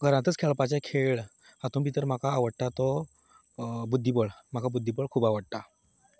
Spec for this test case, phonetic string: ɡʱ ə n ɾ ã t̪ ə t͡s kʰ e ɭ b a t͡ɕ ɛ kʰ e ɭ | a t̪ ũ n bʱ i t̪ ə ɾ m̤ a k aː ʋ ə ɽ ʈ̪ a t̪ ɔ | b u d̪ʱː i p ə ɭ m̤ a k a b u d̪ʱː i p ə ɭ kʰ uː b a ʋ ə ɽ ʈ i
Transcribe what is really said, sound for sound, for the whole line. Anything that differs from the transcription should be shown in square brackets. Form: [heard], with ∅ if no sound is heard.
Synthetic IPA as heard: ɡʱ ə [∅] ɾ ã t̪ ə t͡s kʰ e ɭ [p] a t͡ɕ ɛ kʰ e ɭ | a t̪ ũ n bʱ i t̪ ə ɾ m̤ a k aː ʋ ə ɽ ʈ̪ a t̪ ɔ | b u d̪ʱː i p ə ɭ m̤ a k a b u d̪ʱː i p ə ɭ kʰ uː b a ʋ ə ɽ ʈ [a]